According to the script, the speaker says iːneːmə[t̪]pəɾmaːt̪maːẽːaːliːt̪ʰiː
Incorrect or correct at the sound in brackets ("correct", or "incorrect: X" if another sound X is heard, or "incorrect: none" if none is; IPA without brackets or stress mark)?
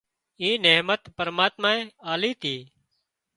correct